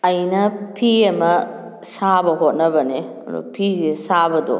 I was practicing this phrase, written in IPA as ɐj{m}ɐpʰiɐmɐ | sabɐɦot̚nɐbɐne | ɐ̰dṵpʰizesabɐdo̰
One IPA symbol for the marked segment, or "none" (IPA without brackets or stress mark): n